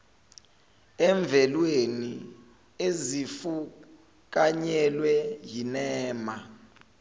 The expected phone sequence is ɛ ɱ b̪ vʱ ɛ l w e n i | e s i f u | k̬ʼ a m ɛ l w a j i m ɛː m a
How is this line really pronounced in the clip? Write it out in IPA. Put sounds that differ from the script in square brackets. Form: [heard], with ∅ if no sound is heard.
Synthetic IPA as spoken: ɛ ɱ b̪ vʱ ɛ l w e n i | e [z] i f u | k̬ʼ a [ɲ] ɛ l w [ɛ] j i [n] ɛː m a